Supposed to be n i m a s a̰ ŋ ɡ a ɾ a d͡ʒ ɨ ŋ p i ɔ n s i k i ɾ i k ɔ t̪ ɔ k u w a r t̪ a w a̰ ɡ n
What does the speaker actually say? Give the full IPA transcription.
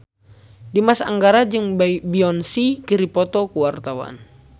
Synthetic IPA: d i m a s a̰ ŋ ɡ a ɾ a d͡ʒ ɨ ŋ b i ɔ n s i k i ɾ i p ɔ t̪ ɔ k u w a r t̪ a w a̰ n